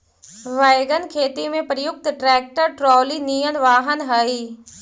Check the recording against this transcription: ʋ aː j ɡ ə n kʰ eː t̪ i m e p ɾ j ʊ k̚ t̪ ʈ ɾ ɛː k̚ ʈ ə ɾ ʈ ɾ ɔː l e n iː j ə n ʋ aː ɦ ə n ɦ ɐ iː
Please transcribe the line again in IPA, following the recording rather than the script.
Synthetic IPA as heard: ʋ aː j ɡ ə n kʰ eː t̪ i m ẽ p ɾ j ʊ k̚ t̪ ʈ ɾ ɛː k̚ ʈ ə ɾ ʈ ɾ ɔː l i n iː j ə n ʋ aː ɦ ə n ɦ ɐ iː